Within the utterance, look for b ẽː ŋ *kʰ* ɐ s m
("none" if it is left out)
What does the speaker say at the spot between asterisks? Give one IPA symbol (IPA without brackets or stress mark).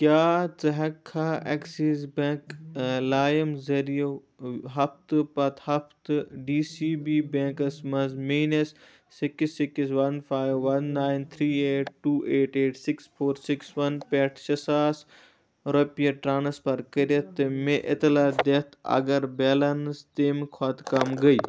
k